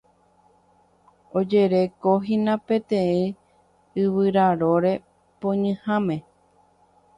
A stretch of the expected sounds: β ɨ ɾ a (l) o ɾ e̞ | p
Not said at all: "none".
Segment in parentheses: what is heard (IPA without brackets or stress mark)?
ɾ